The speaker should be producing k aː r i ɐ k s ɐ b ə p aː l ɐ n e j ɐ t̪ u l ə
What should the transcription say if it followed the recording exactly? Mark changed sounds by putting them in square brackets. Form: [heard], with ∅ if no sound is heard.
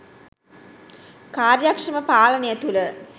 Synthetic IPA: k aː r [j] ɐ k [ʂ] ɐ [m] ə p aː l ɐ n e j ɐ t̪ u l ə